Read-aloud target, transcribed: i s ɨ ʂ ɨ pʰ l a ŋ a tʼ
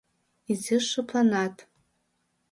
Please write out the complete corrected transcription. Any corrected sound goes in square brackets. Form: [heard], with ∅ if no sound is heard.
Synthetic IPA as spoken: i [z] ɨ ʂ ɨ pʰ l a [n] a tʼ

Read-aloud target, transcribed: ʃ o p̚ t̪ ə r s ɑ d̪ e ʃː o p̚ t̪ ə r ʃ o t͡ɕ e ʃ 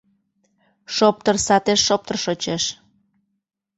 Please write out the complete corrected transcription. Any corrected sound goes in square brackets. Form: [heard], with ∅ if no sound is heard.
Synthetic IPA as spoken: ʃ o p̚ t̪ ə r s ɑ [t̪] e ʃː o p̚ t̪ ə r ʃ o t͡ɕ e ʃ

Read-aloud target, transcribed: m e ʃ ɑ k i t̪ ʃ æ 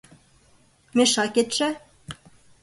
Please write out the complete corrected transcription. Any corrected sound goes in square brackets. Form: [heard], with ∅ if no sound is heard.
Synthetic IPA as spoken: m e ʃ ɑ k [e] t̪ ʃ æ

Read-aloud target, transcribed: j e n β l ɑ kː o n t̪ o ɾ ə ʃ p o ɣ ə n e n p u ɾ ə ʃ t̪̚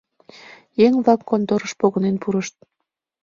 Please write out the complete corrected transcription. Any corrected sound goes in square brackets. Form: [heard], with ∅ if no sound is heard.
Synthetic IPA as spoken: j e [ŋ] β l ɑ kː o n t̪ o ɾ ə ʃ p o ɣ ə n e n p u ɾ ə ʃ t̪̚

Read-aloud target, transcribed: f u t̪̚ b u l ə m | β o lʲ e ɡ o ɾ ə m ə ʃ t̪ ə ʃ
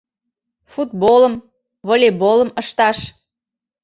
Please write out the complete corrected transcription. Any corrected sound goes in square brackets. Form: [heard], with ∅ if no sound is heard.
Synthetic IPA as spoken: f u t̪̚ b [o] l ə m | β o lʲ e [b] o [l] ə m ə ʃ t̪ [ɑ] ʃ

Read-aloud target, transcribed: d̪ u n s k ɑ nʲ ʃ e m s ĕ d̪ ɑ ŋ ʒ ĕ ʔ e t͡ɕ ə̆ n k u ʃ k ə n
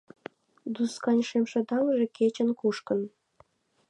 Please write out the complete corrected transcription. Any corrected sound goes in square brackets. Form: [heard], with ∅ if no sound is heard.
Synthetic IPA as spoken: d̪ u [∅] s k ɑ nʲ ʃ e m [ʃ] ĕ d̪ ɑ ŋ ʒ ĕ [k] e t͡ɕ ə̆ n k u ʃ k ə n

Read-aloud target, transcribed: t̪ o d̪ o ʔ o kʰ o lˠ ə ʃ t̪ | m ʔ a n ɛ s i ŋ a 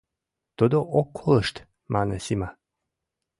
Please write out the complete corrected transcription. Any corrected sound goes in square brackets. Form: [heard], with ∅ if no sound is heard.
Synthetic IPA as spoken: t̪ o d̪ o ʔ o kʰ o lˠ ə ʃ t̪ | m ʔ a n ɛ s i [m] a

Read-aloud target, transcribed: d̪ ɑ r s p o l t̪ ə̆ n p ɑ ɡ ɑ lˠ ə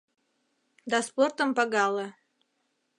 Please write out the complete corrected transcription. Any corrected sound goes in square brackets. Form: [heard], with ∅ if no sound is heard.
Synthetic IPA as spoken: d̪ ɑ [∅] s p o [r] t̪ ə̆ [m] p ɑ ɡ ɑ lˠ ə

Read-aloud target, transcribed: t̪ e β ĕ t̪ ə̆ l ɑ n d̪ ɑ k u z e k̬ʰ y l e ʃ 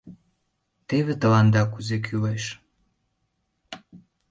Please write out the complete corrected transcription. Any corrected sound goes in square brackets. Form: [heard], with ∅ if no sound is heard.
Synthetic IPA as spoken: t̪ e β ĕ t̪ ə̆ l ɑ n d̪ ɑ k u z e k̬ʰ y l e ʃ

